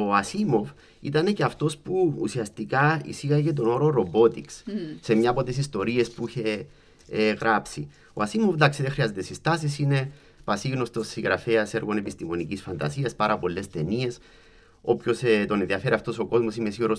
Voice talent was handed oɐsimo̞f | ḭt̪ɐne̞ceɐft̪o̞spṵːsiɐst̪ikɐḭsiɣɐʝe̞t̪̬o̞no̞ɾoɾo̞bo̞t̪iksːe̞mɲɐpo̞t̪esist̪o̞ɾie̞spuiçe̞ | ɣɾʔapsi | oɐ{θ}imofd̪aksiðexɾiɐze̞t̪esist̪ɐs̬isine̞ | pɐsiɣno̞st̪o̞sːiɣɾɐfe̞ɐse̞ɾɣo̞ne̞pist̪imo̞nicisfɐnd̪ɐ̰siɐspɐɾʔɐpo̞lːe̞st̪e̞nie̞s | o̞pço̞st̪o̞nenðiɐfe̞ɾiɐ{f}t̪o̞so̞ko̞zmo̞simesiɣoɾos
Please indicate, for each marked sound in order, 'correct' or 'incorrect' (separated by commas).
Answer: incorrect, correct